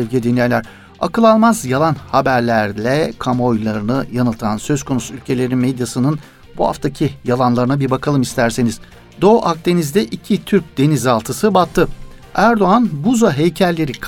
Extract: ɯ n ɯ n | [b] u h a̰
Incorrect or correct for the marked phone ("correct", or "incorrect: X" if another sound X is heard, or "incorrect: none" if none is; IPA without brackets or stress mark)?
correct